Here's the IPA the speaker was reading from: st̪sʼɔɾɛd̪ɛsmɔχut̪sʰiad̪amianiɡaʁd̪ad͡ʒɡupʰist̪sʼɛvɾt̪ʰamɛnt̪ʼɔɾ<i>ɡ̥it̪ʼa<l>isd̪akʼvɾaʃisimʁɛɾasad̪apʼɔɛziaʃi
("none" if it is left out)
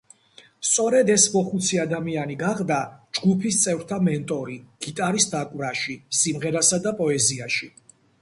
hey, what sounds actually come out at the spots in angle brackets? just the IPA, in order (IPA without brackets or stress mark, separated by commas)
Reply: i, ɾ